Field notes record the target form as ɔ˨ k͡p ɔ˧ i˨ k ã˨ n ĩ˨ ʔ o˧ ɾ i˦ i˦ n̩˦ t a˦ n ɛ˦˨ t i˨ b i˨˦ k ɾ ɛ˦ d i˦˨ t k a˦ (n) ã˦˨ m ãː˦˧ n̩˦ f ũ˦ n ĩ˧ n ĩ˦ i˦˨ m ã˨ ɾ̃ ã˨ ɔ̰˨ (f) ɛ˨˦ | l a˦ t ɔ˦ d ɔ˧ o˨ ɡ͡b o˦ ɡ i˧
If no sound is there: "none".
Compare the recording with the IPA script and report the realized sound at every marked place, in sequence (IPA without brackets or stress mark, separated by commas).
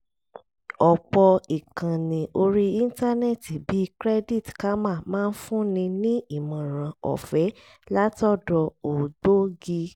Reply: m, f